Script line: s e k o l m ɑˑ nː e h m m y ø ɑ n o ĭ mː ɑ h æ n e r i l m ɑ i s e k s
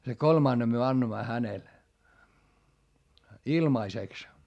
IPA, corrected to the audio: s e k o l m ɑˑ nː e m m y ø ɑ nː o ĭ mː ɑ h æ n e l i l m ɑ i s e k s